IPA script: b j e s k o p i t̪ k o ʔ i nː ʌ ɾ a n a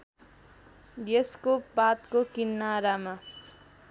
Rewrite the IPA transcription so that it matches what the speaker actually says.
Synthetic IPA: b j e s k o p a t̪ k o k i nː a ɾ a m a